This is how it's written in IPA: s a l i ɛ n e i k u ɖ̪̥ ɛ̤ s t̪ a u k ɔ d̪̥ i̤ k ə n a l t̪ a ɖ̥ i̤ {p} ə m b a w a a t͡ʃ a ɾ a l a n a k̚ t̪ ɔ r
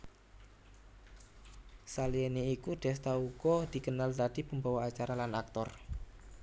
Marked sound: correct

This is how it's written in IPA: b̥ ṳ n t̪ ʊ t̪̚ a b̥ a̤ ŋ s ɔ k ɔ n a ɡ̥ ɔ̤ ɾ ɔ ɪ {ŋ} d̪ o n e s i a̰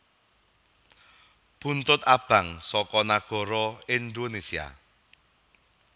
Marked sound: incorrect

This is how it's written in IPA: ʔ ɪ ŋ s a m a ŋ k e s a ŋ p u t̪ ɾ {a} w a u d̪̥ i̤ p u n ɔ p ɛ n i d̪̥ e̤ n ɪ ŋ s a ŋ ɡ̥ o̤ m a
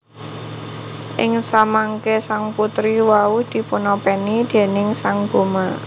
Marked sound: incorrect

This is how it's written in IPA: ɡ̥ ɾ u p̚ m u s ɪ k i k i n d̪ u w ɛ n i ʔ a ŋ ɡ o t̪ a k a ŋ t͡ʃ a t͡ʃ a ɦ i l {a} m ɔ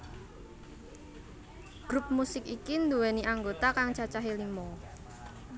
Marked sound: incorrect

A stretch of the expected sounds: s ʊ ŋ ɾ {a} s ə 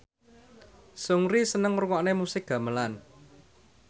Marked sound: incorrect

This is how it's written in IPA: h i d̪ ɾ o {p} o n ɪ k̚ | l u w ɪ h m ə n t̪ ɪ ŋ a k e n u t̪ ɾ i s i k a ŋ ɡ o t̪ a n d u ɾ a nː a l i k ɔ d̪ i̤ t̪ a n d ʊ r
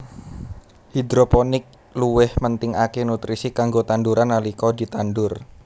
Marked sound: correct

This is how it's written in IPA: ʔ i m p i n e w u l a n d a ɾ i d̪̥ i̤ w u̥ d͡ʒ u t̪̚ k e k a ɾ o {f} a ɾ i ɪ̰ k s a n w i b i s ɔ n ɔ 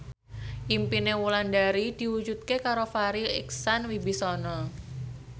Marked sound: correct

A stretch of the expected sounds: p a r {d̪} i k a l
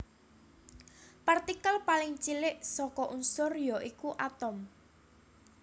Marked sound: incorrect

